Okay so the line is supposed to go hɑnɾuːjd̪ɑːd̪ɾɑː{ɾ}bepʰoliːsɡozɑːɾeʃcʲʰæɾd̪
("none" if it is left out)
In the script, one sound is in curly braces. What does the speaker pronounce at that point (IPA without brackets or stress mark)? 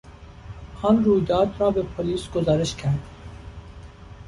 none